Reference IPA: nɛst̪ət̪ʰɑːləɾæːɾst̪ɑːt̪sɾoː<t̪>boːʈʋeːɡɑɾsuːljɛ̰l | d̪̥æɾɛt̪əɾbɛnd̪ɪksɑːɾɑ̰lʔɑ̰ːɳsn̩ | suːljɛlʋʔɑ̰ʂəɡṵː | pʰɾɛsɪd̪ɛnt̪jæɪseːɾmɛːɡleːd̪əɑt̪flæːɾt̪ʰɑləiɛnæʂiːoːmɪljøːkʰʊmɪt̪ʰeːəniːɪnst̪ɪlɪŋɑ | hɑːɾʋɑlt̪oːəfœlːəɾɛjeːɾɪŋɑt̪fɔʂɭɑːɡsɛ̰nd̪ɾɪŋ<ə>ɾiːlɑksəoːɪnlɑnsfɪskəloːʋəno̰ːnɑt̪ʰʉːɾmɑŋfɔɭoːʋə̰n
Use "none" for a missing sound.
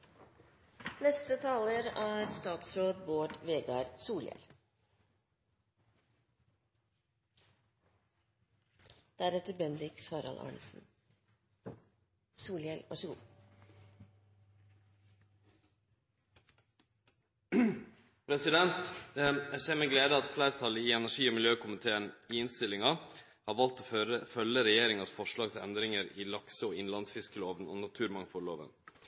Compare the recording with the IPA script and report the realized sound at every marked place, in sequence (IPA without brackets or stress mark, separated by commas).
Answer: d̪, ə